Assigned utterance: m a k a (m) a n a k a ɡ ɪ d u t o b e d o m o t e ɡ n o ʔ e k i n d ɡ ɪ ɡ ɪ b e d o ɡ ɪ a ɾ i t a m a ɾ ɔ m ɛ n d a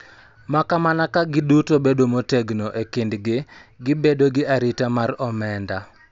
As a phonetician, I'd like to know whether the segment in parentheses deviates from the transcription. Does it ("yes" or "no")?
no